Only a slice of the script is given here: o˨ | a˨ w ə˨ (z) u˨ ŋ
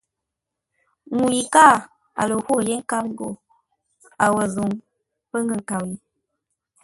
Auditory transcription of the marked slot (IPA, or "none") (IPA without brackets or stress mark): z